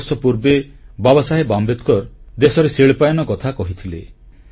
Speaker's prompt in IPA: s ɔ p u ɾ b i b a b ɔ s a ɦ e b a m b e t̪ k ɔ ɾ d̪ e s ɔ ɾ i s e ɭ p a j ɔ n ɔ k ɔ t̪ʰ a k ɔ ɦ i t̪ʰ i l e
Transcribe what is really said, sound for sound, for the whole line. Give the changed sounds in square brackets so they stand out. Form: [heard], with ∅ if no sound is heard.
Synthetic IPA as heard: s ɔ p u ɾ b [e] b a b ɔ s a ɦ e b a m b e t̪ k ɔ ɾ d̪ e s ɔ ɾ [e] s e ɭ p a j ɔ n ɔ k ɔ t̪ʰ a k ɔ ɦ i t̪ʰ i l e